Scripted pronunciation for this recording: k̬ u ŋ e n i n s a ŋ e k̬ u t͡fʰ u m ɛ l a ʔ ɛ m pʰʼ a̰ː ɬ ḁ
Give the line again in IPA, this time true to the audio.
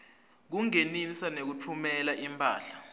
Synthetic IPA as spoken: k̬ u ŋ e n i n s a n e k̬ u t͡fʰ u m ɛ l a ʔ i m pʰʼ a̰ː ɬ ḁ